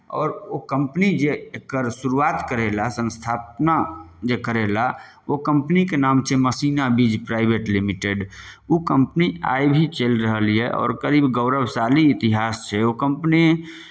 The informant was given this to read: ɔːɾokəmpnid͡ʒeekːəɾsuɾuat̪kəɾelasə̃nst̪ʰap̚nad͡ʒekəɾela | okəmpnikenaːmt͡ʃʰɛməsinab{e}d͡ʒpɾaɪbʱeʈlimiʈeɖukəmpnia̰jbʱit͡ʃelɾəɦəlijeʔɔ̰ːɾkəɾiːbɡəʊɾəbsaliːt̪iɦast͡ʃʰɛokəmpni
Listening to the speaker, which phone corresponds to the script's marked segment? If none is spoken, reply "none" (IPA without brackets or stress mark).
i